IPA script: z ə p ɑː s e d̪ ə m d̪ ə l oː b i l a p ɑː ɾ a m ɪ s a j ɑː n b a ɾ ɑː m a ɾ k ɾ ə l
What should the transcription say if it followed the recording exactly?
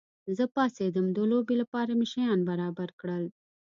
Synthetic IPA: z ə p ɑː s e d̪ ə m d̪ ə l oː b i l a p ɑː ɾ a m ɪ ʃ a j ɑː n b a ɾ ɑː b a ɾ k ɽ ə l